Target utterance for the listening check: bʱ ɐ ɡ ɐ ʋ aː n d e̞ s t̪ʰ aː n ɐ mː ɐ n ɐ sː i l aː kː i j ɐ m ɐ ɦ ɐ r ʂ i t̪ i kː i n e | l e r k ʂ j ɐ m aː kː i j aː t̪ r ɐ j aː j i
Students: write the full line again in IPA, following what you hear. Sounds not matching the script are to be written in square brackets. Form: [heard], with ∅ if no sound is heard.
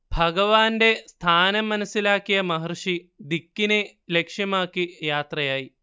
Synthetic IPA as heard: bʱ ɐ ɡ ɐ ʋ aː n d e̞ s t̪ʰ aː n ɐ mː ɐ n ɐ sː i l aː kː i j ɐ m ɐ ɦ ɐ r ʂ i [d̪] i kː i n e | l e [∅] k ʂ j ɐ m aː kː i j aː t̪ r ɐ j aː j i